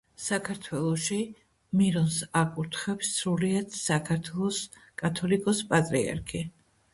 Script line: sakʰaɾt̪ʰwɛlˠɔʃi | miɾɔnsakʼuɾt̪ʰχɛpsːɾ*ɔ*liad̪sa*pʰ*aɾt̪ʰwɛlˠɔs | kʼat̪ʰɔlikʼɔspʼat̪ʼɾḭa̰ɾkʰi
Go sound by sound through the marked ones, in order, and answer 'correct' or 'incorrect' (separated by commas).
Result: incorrect, incorrect